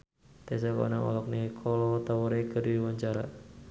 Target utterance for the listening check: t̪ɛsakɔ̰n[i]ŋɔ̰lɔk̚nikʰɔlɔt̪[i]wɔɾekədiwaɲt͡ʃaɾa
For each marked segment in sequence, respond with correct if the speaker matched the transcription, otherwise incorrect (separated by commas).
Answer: incorrect, incorrect